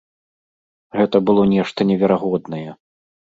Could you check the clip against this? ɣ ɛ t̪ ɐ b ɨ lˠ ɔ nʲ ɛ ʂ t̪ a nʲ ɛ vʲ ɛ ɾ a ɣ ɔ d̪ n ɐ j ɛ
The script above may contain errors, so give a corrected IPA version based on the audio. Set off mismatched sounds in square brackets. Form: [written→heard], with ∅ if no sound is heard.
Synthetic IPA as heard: ɣ ɛ t̪ ɐ b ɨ lˠ ɔ nʲ ɛ ʂ t̪ [a→ɐ] nʲ ɛ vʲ ɛ ɾ a ɣ ɔ d̪ n ɐ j ɛ